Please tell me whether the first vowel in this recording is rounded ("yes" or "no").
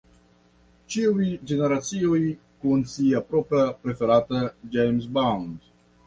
no